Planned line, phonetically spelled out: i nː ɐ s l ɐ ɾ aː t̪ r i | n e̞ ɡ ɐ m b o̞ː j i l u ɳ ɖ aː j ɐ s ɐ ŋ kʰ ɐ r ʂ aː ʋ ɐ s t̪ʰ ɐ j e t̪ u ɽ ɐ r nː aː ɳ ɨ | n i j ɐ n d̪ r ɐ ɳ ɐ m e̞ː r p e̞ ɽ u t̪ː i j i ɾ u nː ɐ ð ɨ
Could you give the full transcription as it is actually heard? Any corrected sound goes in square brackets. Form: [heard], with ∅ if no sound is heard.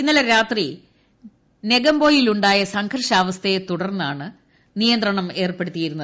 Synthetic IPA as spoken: i nː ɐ [∅] l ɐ ɾ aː t̪ r i | n e̞ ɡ ɐ m b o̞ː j i l u ɳ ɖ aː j ɐ s ɐ ŋ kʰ ɐ r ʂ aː ʋ ɐ s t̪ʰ ɐ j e t̪ u ɽ ɐ r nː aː ɳ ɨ | n i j ɐ n d̪ r ɐ ɳ ɐ m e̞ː r p e̞ ɽ u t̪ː i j i ɾ u nː ɐ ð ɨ